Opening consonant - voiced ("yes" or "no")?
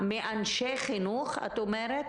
yes